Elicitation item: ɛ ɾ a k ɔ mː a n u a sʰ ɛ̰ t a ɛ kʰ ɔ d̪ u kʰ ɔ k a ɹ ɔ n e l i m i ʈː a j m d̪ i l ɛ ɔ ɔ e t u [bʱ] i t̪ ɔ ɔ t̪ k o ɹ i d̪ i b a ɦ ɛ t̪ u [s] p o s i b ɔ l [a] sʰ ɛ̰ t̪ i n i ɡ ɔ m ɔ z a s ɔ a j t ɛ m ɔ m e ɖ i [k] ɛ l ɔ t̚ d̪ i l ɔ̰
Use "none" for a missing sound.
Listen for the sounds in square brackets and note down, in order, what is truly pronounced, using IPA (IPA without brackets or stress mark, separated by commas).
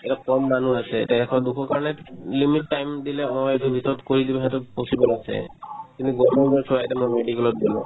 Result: bʱ, none, a, k